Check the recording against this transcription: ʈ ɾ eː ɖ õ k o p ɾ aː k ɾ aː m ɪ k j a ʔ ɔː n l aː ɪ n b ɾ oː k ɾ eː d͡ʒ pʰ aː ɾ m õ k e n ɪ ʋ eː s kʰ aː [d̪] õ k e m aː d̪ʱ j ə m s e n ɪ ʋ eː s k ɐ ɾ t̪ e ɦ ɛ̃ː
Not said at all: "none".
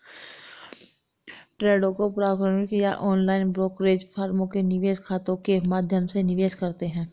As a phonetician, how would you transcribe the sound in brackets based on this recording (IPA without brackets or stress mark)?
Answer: t̪